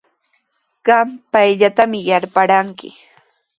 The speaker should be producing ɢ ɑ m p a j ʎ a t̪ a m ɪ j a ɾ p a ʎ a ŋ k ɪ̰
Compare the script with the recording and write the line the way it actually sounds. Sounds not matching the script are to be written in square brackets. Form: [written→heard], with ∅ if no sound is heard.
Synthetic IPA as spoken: ɢ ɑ m p a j ʎ a t̪ a m ɪ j a ɾ p a [ʎ→ɾ] a ŋ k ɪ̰